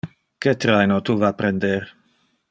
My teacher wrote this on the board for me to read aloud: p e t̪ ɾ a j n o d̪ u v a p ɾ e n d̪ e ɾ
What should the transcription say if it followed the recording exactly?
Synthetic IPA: k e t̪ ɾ a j n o t̪ u v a p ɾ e n d̪ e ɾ

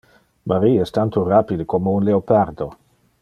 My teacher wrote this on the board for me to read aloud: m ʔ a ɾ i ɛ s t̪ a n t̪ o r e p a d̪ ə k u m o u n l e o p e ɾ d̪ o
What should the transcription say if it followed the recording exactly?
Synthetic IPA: m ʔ a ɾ i ɛ s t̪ a n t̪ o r a p i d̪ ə k o m o u n l e o p a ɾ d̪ o

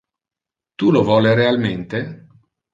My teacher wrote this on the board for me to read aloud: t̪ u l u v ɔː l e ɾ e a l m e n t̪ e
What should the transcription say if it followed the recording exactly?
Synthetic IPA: t̪ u l o v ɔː l e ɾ e a l m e n t̪ e

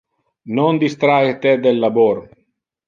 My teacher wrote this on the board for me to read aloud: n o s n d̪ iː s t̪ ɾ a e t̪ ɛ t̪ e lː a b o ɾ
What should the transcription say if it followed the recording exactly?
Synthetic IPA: n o n d̪ i s t̪ ɾ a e t̪ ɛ d̪ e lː a b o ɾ

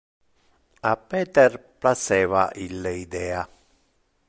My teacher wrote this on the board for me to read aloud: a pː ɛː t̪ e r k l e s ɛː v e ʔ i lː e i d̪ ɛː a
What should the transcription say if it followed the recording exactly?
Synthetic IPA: a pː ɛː t̪ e r p l a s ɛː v a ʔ i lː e i d̪ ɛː a

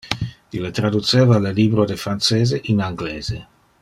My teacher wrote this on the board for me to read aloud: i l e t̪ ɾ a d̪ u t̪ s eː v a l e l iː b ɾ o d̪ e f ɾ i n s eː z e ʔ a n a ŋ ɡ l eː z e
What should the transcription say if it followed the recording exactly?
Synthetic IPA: i l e t̪ ɾ a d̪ u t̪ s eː v a l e l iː b ɾ o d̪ e f ɾ a n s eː z e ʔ i n a ŋ ɡ l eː z e

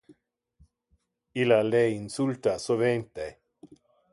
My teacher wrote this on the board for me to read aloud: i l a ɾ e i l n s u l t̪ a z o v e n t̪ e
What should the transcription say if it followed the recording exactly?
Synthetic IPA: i l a l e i n s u l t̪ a s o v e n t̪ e

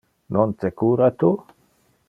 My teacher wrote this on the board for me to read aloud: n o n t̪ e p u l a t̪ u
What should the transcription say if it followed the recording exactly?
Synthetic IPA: n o n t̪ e k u ɾ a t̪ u

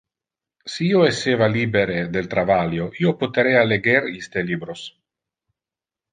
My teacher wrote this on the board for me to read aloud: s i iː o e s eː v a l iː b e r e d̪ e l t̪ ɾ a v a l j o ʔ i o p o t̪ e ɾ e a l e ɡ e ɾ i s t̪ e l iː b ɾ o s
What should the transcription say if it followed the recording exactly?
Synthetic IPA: s i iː o e s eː v a l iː b e ɾ e d̪ e l t̪ ɾ a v a l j o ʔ i o p o t̪ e ɾ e a l e ɡ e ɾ i s t̪ e l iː b ɾ o s

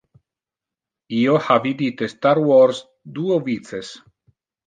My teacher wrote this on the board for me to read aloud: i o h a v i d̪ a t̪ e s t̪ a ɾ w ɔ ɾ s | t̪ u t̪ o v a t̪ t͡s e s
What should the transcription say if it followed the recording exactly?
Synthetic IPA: i o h a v i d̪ i t̪ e s t̪ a ɾ w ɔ ɾ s | d̪ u o v i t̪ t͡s e s

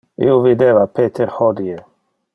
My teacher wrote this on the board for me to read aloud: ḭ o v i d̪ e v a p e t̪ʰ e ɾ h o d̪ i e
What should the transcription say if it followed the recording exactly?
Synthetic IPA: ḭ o v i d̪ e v a p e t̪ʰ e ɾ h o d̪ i e

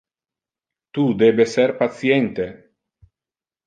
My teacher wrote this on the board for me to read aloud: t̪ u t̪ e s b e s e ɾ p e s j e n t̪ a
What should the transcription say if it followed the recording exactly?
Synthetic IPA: t̪ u d̪ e b e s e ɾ p a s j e n t̪ e

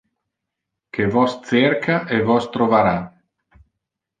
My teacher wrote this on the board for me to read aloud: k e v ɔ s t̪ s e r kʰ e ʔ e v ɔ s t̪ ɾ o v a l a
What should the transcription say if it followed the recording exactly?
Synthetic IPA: k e v ɔ s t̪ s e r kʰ a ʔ e v ɔ s t̪ ɾ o v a ɾ a

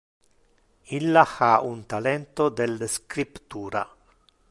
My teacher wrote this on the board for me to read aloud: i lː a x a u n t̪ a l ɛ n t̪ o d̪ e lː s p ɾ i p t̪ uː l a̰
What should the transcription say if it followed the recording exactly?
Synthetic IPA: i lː a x a u n t̪ a l ɛ n t̪ o d̪ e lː s k ɾ i p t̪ uː ɾ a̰

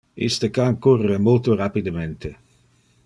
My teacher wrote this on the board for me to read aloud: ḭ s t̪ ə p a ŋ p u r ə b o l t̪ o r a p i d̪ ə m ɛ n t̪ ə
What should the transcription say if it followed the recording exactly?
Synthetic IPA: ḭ s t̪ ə k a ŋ k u r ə m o l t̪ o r a p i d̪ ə m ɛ n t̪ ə

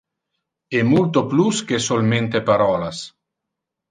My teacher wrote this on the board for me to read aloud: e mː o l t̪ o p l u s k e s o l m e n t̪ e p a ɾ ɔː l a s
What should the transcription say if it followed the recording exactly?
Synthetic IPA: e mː u l t̪ o p l u s k e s o l m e n t̪ e p a ɾ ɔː l a s

